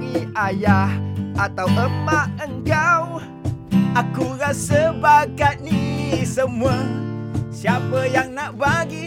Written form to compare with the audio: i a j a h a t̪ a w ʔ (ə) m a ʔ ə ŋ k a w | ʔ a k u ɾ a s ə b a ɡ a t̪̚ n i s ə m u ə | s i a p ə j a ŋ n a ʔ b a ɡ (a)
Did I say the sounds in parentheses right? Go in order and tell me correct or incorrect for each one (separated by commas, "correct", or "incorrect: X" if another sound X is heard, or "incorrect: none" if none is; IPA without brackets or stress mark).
correct, incorrect: i